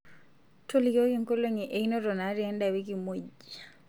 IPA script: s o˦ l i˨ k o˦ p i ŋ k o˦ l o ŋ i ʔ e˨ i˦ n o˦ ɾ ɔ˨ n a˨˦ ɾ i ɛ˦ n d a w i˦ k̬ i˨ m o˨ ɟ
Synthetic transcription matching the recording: t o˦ l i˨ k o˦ k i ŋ k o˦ l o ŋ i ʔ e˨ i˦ n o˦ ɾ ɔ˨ n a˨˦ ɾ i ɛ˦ n d a w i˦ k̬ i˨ m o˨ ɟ